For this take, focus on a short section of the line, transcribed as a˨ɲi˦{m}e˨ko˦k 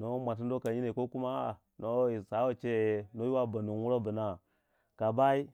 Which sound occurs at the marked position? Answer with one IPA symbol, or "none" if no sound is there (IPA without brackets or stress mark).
n